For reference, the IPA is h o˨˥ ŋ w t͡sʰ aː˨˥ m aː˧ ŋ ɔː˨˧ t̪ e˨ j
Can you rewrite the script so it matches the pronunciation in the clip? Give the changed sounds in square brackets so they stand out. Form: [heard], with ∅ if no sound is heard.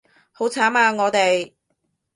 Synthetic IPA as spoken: h o˨˥ [∅] w t͡sʰ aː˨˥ m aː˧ ŋ ɔː˨˧ t̪ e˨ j